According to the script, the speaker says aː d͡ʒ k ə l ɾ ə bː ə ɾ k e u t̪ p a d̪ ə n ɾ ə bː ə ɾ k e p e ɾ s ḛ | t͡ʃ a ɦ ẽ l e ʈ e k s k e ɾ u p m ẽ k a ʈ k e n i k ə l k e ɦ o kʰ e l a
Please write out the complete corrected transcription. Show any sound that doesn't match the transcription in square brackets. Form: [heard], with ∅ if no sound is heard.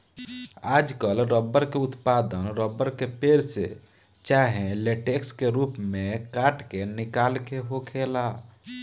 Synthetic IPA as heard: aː d͡ʒ k ə l ɾ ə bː ə ɾ k e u t̪ p a d̪ ə n ɾ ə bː ə ɾ k e p e ɾ s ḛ | t͡ʃ a ɦ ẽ l e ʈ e k s k e ɾ u p m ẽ k a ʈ k e n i k [a] l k e ɦ o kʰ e l a